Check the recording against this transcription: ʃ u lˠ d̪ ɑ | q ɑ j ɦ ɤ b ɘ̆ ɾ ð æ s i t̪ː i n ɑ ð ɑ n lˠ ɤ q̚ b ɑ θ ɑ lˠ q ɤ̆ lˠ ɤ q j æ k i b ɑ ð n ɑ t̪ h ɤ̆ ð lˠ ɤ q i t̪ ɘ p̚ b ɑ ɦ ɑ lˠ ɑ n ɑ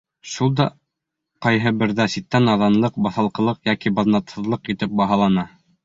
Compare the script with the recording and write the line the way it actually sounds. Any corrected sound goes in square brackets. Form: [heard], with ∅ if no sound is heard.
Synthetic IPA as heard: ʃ u lˠ d̪ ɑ | q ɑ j ɦ ɤ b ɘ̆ ɾ ð æ s i t̪ː [æ] n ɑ ð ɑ n lˠ ɤ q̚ b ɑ θ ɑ lˠ q ɤ̆ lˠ ɤ q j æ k i b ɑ ð n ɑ t̪ h ɤ̆ ð lˠ ɤ q i t̪ ɘ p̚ b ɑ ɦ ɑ lˠ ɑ n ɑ